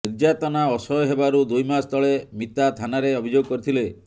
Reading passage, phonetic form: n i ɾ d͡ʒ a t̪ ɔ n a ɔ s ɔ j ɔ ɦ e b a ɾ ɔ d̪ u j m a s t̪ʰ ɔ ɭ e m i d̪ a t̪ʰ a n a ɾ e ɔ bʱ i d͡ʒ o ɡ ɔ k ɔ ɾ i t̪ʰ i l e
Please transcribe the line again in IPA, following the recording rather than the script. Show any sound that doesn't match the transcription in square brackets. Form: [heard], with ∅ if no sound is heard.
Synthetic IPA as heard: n i ɾ d͡ʒ a t̪ ɔ n a ɔ s ɔ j ɔ ɦ e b a ɾ [u] d̪ u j m a s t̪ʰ ɔ ɭ e m i [t̪] a t̪ʰ a n a ɾ e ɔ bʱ i d͡ʒ o ɡ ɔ k ɔ ɾ i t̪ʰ i l e